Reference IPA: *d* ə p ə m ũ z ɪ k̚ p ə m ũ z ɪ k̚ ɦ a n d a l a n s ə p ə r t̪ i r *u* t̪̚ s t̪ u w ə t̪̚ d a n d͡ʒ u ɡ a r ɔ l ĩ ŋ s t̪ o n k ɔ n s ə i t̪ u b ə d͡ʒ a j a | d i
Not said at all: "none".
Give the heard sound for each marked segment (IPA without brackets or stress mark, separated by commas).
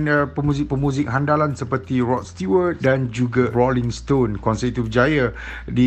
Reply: n, ɔ